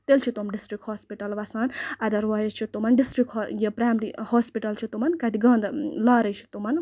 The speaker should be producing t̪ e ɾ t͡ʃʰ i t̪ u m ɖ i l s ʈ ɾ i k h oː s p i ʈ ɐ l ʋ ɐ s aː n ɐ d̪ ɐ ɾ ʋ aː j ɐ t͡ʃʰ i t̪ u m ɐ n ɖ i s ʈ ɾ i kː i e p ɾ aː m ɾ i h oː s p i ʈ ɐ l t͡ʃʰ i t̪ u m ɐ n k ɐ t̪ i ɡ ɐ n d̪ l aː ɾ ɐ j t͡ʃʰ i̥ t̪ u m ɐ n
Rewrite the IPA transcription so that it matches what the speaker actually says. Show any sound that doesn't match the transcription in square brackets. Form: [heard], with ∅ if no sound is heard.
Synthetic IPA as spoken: t̪ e [l] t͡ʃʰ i t̪ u m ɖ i [∅] s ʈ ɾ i k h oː s p i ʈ ɐ l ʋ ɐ s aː n ɐ d̪ ɐ ɾ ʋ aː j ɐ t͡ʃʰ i t̪ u m ɐ n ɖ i s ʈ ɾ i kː [j] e p ɾ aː m ɾ i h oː s p i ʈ ɐ l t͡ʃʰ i t̪ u m ɐ n k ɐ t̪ i ɡ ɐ n d̪ l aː ɾ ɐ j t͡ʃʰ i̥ t̪ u m ɐ n